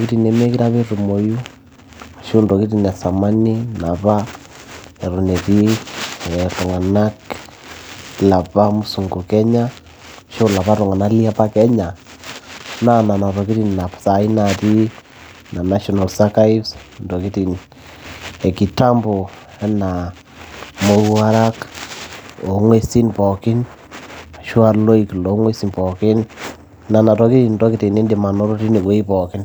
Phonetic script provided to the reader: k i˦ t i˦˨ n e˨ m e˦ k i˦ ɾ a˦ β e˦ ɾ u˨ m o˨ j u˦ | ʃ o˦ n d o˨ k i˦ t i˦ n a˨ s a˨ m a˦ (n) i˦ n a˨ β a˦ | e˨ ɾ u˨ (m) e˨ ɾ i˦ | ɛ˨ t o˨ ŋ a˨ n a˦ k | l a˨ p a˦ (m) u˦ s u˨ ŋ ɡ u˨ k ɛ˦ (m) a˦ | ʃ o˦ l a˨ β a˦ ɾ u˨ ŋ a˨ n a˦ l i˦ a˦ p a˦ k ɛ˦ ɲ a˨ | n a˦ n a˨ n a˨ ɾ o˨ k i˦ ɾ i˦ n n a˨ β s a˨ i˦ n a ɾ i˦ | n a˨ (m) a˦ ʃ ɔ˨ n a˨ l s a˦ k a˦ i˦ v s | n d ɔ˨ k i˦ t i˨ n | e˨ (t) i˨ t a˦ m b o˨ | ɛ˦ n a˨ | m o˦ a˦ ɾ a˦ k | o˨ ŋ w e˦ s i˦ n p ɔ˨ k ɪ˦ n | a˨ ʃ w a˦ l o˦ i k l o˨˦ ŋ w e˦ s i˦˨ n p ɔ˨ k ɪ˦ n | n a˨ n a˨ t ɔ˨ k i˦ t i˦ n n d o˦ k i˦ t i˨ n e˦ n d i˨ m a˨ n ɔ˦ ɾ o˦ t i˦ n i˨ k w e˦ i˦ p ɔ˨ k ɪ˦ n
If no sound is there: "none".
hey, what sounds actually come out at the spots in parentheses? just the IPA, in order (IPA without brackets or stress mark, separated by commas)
n, n, m, ɲ, n, k